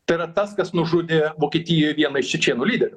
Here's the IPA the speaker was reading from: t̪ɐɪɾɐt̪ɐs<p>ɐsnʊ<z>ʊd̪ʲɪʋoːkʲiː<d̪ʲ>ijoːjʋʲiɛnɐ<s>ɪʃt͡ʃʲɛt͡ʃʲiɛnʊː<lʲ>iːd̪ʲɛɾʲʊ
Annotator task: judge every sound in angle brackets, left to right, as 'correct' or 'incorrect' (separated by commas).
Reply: incorrect, incorrect, incorrect, incorrect, correct